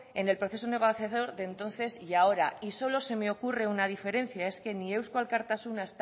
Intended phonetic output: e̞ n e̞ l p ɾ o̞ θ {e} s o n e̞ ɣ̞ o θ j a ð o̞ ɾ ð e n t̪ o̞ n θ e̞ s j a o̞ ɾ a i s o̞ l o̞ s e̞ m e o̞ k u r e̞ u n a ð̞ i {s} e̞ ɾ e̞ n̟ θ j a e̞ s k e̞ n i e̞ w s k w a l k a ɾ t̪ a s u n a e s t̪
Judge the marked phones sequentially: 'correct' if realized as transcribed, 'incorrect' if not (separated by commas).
correct, incorrect